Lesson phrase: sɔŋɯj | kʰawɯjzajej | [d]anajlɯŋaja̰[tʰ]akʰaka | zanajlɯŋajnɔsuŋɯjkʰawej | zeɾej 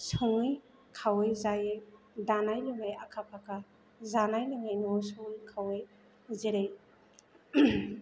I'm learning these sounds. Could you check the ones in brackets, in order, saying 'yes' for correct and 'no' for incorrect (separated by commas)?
yes, no